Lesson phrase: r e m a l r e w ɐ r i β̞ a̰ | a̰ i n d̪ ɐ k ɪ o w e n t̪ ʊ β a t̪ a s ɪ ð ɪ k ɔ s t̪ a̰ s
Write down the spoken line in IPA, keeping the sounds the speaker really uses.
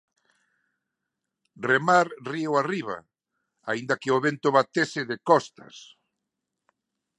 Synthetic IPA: r e m a ɾ r i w a r i β̞ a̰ | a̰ i n d̪ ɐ k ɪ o β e n t̪ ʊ β a t̪ e s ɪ ð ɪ k ɔ s t̪ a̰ s